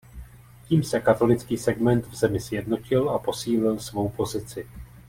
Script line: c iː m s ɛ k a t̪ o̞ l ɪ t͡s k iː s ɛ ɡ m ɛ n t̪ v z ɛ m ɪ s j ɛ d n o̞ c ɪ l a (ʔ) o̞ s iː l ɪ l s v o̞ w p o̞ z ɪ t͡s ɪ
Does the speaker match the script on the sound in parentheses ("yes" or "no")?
no